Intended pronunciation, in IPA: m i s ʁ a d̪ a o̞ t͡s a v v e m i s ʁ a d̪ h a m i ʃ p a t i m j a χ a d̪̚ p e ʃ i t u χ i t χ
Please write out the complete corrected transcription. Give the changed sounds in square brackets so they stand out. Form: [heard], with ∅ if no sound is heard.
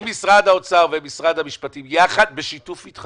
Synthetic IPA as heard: m i s ʁ a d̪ a o̞ t͡s a [ʁ] v e m i s ʁ a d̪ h a m i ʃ p a t i m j a χ a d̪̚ [b] e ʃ i t u [f] i t χ